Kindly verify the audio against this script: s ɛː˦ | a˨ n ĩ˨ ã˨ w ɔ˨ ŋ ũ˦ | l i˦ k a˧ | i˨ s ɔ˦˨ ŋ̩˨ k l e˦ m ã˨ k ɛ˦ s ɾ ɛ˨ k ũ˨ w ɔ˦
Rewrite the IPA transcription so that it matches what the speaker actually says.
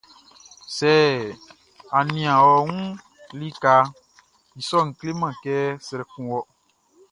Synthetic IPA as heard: s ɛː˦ | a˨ n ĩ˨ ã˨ w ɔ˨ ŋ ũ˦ | l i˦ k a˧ | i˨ s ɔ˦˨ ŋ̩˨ k l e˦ m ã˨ k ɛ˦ s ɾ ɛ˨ k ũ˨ w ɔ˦